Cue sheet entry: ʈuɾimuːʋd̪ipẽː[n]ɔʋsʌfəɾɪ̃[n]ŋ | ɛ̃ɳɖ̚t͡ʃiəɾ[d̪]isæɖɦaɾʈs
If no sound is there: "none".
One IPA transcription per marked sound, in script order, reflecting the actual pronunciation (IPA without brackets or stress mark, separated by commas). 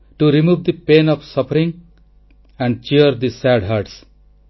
n, none, d̪